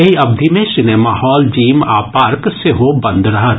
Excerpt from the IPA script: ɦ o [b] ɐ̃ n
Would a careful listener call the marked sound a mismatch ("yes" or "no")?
no